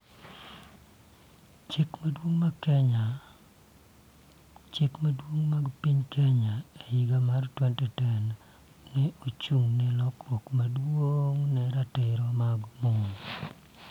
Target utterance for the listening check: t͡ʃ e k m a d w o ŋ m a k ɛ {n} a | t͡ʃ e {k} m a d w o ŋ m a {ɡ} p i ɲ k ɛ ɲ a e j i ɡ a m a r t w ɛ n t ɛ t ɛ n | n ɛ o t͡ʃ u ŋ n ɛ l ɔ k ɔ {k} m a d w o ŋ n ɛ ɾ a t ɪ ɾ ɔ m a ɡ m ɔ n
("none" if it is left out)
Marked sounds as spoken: ɲ, k, ɡ, k

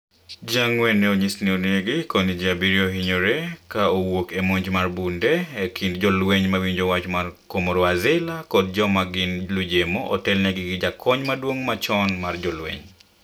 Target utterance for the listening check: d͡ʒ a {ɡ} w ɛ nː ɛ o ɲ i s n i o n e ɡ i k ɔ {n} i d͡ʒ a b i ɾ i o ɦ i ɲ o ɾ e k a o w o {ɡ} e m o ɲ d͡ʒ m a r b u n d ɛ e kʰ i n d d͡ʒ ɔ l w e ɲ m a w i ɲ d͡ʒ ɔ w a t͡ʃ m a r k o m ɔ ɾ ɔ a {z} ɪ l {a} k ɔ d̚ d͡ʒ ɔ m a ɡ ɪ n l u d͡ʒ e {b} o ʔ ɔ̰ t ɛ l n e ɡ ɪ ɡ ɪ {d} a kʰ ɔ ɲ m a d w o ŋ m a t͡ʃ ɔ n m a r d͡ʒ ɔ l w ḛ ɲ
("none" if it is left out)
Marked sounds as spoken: ŋ, n, k, z, a, m, d͡ʒ

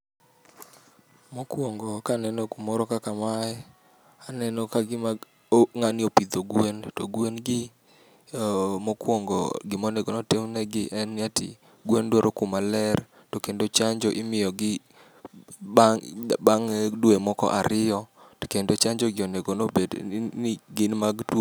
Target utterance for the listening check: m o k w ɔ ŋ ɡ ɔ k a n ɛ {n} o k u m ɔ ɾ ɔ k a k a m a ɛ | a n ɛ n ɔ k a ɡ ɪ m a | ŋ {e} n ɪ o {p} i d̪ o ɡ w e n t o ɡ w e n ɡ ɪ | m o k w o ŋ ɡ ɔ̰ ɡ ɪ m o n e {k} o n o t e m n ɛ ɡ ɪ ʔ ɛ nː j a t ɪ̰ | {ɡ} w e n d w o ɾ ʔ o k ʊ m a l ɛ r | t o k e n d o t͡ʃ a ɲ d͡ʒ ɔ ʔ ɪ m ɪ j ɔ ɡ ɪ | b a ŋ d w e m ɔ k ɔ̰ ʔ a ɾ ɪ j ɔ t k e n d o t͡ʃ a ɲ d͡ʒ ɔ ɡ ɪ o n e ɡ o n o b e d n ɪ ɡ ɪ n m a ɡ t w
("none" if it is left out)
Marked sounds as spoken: n, a, p, ɡ, ɡ

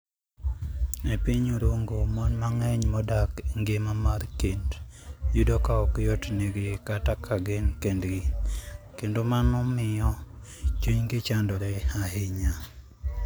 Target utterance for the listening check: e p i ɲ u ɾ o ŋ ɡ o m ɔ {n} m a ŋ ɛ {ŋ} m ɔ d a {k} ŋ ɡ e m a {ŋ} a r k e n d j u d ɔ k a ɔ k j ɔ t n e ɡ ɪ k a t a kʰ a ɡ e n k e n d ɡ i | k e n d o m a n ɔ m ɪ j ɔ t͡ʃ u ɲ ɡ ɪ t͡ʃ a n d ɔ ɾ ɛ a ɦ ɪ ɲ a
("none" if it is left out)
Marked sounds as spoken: n, ɲ, k, m

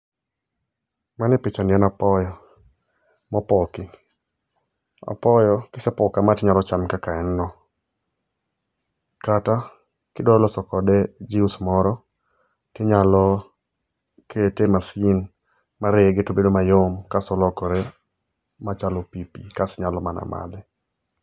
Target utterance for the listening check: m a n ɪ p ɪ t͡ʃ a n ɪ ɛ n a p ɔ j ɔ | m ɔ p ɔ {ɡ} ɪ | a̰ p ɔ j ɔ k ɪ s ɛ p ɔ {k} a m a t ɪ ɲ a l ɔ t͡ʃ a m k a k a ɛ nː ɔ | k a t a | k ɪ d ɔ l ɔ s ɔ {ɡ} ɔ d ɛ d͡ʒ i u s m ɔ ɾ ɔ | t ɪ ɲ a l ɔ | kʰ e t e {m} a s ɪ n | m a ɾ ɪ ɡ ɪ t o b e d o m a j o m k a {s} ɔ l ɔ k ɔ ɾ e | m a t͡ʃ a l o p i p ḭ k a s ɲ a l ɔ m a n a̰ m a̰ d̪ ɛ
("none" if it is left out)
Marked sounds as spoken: k, k, k, m, s

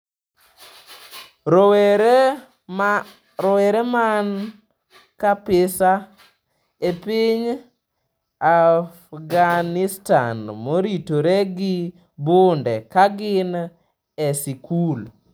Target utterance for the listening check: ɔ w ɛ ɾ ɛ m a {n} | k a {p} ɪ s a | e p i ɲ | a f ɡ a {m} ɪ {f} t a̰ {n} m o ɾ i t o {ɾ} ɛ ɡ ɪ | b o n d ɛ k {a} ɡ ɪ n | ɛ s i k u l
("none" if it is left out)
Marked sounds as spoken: n, p, n, s, n, ɾ, a

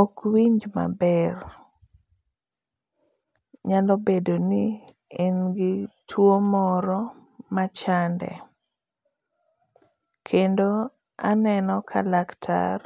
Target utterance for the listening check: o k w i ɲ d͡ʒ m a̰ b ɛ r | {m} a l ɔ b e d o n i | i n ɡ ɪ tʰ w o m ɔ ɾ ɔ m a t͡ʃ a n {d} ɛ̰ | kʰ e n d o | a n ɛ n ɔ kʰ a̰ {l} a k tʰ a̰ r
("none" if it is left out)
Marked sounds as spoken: ɲ, d, l

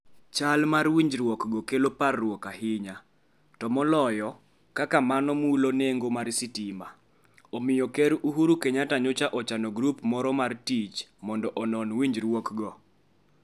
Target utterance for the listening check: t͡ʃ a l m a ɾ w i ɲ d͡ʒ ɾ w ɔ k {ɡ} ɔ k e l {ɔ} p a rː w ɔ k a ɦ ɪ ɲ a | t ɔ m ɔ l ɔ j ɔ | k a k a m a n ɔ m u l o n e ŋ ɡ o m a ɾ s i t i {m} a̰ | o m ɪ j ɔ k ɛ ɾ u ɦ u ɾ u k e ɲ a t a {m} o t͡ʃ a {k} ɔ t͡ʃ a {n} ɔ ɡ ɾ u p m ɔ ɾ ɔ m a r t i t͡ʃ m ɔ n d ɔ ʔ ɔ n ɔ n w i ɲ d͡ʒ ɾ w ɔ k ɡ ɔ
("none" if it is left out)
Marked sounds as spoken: ɡ, o, m, ɲ, ʔ, n

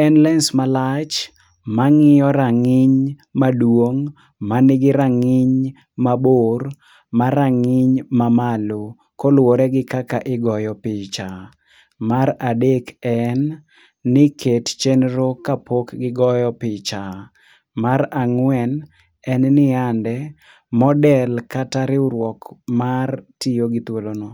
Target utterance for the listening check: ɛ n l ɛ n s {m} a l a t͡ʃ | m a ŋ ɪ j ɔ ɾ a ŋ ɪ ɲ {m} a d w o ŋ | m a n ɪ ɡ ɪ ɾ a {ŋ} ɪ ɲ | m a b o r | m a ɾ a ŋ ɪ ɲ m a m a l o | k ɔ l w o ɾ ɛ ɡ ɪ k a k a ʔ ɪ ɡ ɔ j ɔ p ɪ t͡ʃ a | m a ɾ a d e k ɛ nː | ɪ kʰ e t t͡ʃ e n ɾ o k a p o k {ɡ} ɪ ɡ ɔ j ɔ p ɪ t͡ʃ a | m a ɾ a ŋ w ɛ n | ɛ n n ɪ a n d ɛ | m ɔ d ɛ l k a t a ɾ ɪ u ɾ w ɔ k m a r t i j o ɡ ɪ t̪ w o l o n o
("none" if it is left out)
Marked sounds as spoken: m, m, ŋ, ɡ

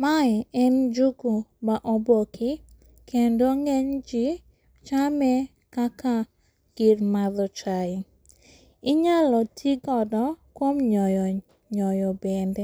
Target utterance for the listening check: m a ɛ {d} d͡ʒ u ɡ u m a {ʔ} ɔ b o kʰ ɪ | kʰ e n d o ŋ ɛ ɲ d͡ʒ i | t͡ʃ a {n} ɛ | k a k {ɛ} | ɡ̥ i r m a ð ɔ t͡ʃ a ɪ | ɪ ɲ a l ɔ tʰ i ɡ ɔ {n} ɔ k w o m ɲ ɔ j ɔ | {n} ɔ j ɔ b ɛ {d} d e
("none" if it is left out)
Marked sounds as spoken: n, ʔ, m, a, d, ɲ, n

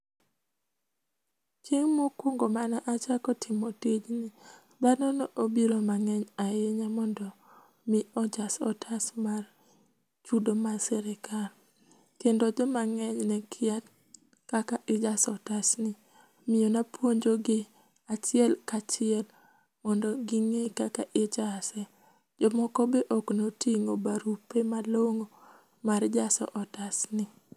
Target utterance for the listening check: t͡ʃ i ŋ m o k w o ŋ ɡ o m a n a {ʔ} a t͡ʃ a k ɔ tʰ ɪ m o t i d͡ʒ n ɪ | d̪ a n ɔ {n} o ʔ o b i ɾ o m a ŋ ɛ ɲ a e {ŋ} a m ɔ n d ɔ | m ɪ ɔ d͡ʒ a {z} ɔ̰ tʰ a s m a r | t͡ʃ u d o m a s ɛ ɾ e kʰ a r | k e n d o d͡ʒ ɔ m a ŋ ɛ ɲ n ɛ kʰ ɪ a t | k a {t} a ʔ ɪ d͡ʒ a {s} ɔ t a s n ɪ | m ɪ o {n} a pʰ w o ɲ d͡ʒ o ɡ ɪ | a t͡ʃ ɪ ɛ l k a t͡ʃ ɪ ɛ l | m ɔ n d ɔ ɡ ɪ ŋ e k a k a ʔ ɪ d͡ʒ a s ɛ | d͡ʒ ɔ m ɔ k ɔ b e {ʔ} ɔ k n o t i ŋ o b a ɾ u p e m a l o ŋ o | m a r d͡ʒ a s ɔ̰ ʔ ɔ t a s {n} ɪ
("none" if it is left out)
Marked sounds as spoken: ʔ, n, ɲ, s, k, s, n, ʔ, n

